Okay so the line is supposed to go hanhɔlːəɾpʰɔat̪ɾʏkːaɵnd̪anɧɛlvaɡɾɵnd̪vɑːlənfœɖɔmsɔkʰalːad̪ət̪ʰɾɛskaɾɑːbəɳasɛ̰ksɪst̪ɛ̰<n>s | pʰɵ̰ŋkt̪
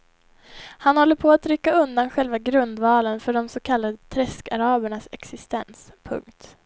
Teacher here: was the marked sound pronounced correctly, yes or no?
yes